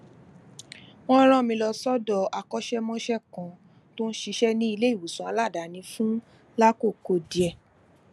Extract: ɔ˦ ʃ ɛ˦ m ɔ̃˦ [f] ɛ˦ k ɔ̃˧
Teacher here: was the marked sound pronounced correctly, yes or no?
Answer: no